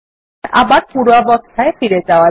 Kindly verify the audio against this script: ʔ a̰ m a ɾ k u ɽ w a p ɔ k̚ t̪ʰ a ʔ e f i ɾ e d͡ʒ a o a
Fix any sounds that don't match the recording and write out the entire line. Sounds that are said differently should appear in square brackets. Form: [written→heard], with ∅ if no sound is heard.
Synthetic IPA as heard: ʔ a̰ [m→b] a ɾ [k→p] u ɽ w a [p→b] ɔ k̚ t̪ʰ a [ʔ→∅] e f i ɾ e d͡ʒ a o a

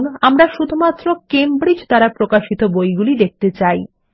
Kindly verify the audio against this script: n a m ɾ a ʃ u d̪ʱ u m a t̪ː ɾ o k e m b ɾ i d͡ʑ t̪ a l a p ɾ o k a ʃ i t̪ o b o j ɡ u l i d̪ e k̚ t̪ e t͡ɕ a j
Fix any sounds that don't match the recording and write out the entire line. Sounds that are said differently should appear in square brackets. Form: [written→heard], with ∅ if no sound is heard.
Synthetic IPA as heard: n a m ɾ a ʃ u d̪ʱ u m a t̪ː ɾ o k e m b ɾ i d͡ʑ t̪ a [l→ɾ] a p ɾ o k a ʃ i t̪ o b o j ɡ u l i d̪ e k̚ t̪ e t͡ɕ a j

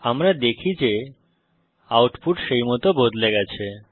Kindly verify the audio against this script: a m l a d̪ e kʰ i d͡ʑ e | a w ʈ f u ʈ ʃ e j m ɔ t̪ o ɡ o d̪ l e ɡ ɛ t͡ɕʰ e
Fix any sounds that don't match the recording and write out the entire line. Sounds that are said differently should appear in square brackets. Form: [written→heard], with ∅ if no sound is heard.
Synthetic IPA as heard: a m [l→ɾ] a d̪ e kʰ i d͡ʑ e | a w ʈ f u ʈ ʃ e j m ɔ t̪ o [ɡ→b] o d̪ l e ɡ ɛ t͡ɕʰ e

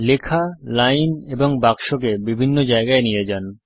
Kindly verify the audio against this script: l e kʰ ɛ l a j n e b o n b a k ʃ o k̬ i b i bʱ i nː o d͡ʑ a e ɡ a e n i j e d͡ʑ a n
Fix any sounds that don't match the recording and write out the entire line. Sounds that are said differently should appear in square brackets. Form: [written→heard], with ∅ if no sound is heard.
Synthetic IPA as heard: l e kʰ [ɛ→a] l a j n e b o [n→ŋ] b a k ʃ o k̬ [i→e] b i bʱ i nː o d͡ʑ a e ɡ a e n i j e d͡ʑ a n

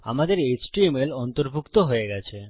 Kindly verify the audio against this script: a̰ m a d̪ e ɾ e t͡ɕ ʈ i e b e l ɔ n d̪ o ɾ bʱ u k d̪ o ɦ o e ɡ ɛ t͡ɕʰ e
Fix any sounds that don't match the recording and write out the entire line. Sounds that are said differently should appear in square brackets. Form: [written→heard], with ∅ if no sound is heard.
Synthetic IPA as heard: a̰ m a d̪ e ɾ e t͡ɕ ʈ i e [b→m] e l ɔ n [d̪→t̪] o ɾ bʱ u k [d̪→t̪] o ɦ o e ɡ ɛ t͡ɕʰ e

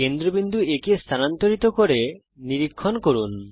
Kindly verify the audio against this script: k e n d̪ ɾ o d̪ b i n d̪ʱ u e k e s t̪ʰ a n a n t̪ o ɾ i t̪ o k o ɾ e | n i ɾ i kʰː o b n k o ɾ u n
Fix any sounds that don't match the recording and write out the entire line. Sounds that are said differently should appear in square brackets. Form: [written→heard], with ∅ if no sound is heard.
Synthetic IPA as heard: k e n d̪ ɾ o [d̪→∅] b i n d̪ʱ u e k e s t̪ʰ a n a n t̪ o ɾ i t̪ o k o ɾ e | n i ɾ i kʰː o [b→∅] n k o ɾ u n

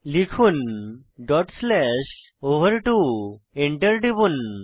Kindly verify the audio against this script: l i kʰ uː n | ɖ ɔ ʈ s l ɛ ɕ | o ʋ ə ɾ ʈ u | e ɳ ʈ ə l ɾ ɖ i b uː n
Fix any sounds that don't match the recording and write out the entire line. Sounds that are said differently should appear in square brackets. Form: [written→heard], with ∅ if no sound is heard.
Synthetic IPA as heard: l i kʰ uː n | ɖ ɔ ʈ s l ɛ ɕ | o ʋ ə ɾ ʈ u | e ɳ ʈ ə [l→∅] ɾ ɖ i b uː n

